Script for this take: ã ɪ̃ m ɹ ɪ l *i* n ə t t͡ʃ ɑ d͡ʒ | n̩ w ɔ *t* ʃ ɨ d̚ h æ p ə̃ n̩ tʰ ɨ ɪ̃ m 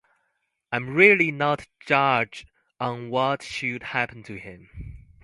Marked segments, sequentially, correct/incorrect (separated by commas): correct, correct